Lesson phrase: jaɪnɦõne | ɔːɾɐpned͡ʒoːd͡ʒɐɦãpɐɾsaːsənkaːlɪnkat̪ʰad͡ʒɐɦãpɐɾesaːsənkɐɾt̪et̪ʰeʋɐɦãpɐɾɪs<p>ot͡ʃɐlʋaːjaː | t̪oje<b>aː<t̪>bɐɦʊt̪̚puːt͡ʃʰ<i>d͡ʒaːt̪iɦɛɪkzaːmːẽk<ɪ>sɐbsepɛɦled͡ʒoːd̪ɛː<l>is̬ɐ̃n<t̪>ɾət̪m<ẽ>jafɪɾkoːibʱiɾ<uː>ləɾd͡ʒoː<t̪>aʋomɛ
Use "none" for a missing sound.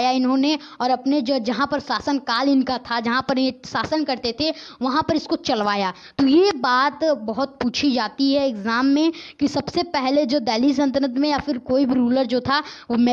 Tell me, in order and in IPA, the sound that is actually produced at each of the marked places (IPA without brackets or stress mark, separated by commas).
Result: k, b, t̪, i, i, l, t̪, ẽ, uː, t̪ʰ